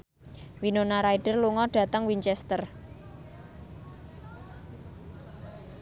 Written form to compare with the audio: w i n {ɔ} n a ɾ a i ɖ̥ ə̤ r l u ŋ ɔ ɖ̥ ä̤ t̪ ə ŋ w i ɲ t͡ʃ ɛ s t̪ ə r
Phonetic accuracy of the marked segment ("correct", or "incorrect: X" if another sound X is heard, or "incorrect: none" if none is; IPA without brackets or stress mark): incorrect: o